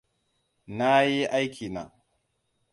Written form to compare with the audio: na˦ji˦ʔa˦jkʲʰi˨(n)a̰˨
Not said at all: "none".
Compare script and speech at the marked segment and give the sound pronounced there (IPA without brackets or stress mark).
n